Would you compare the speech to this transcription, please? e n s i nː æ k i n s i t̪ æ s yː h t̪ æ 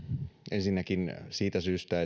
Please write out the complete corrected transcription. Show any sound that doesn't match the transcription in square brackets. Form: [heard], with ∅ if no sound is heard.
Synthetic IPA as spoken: e n s i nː æ k i n s [iː] t̪ æ s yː [s] t̪ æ